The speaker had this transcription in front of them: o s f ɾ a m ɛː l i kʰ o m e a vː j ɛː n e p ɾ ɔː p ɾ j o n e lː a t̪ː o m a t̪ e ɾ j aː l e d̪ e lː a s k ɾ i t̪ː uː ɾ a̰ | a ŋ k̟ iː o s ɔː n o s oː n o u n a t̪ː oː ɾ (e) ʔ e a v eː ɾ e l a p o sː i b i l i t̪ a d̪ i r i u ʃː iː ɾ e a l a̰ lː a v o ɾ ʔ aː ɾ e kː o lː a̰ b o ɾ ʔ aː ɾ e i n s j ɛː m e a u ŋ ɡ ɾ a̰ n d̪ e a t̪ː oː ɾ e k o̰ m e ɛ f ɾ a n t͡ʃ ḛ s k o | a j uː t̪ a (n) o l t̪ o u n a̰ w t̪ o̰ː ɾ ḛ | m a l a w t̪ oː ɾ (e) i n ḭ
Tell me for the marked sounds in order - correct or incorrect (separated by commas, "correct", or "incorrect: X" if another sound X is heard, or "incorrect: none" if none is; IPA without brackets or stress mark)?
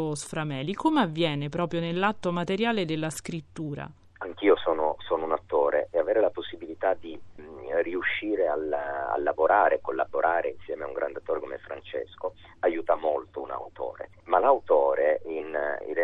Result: correct, incorrect: m, correct